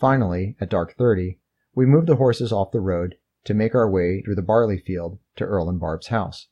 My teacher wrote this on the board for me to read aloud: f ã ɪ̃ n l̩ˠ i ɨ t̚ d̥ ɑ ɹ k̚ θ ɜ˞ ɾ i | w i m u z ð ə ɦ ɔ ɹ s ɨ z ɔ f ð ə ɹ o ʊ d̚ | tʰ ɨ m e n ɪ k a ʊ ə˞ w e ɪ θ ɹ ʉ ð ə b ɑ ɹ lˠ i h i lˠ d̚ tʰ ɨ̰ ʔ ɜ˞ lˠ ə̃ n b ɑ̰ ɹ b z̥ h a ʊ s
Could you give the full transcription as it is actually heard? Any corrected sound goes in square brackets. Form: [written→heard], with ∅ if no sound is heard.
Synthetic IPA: f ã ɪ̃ n l̩ˠ i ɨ t̚ d̥ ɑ ɹ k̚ θ ɜ˞ ɾ i | w i m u [z→v] ð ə ɦ ɔ ɹ s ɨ z ɔ f ð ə ɹ o ʊ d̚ | tʰ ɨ m e [n→∅] ɪ k a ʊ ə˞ w e ɪ θ ɹ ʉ ð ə b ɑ ɹ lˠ i [h→f] i lˠ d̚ tʰ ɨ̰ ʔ ɜ˞ lˠ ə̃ n b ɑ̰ ɹ b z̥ h a ʊ s